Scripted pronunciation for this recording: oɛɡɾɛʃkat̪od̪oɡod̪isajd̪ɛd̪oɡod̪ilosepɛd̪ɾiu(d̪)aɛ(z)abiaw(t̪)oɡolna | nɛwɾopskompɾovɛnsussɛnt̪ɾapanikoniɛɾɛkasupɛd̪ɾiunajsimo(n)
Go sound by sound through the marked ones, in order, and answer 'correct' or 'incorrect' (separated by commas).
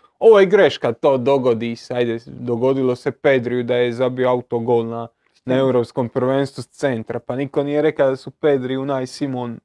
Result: correct, correct, correct, correct